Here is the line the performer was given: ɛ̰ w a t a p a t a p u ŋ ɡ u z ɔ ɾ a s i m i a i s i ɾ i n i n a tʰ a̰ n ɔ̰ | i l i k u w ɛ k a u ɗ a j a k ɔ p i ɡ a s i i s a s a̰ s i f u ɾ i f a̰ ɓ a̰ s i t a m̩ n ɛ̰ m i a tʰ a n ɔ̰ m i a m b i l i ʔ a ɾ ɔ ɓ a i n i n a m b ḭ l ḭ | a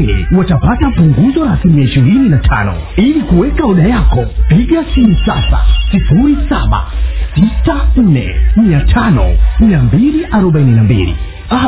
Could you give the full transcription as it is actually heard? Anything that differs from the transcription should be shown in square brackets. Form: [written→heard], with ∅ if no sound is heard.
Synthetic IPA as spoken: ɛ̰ w a t a p a t a p u ŋ ɡ u z ɔ ɾ a s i m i a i [s→ʃ] i ɾ i n i n a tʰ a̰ n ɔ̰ | i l i k u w ɛ k a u ɗ a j a k ɔ p i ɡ a s i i s a s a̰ s i f u ɾ i [f→s] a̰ ɓ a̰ s i t a [m̩→n̩] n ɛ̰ m i a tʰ a n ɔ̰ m i a m b i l i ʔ a ɾ ɔ ɓ a i n i n a m b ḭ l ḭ | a